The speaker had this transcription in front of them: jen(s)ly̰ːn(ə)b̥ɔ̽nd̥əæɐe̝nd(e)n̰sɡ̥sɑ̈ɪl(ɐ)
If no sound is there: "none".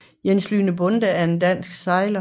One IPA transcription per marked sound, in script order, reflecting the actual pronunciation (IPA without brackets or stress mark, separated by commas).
s, ə, æ, ɐ